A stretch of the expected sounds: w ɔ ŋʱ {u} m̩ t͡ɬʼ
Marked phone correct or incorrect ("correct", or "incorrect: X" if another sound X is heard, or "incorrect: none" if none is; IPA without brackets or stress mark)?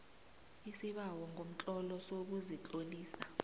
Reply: incorrect: o